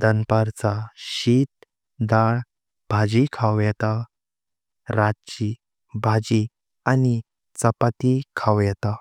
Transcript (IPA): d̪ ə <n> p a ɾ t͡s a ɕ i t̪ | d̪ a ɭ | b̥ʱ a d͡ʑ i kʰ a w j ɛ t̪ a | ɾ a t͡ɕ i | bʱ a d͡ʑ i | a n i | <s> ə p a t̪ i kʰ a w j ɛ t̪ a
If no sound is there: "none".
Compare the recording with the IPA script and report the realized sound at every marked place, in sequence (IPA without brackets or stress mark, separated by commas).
n, t͡s